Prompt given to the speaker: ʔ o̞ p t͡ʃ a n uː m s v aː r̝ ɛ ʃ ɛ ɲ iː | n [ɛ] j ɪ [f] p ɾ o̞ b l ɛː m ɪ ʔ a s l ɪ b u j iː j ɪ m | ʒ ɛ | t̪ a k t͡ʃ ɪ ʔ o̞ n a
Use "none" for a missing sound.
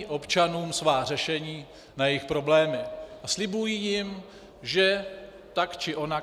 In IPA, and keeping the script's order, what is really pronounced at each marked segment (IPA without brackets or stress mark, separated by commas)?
a, x